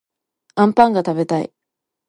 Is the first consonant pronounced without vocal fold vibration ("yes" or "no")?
no